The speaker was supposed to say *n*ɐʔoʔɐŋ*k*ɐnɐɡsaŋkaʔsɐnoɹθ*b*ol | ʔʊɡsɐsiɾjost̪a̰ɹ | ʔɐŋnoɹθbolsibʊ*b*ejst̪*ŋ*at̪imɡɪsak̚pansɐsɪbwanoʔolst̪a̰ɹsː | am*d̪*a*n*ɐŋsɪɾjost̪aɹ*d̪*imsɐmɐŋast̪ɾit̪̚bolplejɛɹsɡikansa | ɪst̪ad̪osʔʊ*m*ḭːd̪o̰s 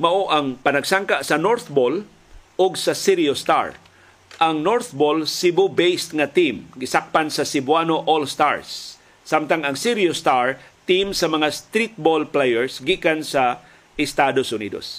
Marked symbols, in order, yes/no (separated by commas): no, no, yes, yes, yes, no, no, no, no